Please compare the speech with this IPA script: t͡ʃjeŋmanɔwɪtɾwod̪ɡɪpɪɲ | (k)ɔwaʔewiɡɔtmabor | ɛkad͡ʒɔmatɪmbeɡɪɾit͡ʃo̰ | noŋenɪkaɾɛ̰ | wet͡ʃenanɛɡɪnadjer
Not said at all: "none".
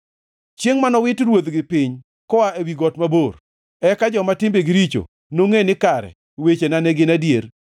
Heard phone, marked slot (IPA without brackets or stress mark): k